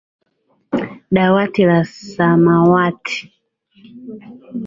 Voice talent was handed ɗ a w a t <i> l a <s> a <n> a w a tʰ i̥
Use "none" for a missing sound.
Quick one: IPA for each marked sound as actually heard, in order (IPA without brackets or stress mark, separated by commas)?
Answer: i, s, m